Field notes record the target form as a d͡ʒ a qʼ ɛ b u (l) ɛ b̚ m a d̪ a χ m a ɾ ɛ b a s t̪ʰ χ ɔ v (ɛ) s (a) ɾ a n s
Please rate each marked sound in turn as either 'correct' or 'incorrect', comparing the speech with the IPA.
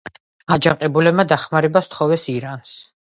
correct, correct, incorrect: i

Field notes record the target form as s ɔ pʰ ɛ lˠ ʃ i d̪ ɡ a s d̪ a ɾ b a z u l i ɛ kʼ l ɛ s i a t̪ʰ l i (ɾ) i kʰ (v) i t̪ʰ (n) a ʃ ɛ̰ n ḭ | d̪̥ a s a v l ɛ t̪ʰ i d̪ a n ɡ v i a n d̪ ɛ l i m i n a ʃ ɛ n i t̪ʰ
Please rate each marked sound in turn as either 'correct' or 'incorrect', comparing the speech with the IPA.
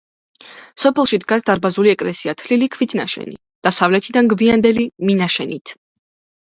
incorrect: l, correct, correct

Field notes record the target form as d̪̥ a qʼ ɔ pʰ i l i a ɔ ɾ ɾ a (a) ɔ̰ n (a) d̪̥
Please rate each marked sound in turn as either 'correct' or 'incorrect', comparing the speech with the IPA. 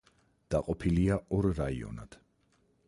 incorrect: i, correct

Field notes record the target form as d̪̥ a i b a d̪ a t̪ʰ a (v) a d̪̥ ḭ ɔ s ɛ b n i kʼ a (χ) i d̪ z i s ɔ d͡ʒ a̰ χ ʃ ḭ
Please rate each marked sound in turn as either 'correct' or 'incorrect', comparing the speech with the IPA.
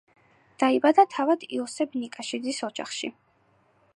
correct, incorrect: ʃ

